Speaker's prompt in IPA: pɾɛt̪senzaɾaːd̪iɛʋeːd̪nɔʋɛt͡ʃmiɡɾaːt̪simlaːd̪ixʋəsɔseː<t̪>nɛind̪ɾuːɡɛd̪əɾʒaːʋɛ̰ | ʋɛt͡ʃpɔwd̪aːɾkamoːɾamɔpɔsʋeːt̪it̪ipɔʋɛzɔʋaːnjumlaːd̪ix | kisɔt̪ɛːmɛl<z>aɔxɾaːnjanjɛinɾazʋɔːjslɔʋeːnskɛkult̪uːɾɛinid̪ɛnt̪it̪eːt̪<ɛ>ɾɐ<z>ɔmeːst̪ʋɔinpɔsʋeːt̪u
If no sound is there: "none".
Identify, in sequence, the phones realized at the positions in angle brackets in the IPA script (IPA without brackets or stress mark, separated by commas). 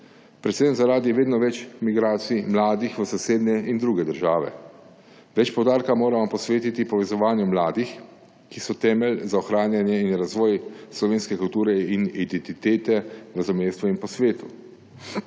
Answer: d̪, z, ɛ, z